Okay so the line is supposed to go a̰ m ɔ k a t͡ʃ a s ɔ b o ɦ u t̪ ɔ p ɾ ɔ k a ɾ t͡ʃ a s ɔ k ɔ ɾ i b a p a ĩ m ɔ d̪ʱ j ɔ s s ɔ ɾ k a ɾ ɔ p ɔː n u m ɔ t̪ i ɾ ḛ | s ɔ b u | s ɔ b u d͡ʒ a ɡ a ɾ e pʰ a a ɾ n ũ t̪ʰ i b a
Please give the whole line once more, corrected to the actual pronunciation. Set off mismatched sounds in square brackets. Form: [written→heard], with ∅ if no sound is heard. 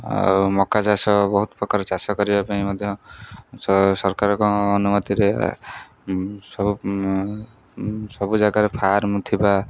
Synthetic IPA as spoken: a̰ m ɔ k a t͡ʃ a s ɔ b [o→ɔ] ɦ u t̪ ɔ p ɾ ɔ k a ɾ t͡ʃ a s ɔ k ɔ ɾ i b a p a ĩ m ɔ d̪ʱ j ɔ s s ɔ ɾ k a ɾ ɔ [p→k] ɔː n u m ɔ t̪ i ɾ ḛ | s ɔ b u | s ɔ b u d͡ʒ a ɡ a ɾ e pʰ a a ɾ [n→m] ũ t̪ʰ i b a